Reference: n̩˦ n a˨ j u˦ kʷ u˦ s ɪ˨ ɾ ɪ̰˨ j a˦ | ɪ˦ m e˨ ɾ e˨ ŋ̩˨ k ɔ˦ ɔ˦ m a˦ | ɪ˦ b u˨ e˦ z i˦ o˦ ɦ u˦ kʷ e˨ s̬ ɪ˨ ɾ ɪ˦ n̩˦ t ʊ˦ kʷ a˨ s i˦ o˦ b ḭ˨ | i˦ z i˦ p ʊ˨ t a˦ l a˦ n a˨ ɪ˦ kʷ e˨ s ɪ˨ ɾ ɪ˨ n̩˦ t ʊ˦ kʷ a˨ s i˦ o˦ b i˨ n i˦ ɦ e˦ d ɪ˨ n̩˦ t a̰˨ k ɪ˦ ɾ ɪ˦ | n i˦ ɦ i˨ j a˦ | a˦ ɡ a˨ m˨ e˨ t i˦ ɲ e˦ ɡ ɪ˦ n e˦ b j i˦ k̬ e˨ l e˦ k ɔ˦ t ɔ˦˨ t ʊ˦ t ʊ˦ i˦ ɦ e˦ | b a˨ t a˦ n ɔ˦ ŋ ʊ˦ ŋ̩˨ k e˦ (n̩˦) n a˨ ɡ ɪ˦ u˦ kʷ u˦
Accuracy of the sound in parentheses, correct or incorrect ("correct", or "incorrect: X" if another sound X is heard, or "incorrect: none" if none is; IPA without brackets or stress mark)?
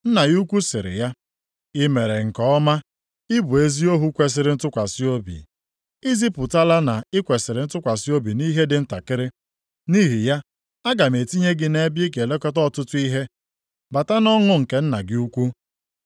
correct